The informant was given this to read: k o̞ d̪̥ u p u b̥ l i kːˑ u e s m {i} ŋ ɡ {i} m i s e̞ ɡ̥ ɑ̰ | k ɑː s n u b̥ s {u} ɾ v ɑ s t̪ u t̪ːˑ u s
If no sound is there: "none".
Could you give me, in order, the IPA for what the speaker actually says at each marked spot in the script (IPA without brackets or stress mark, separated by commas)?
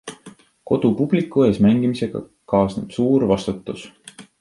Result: æ, i, uː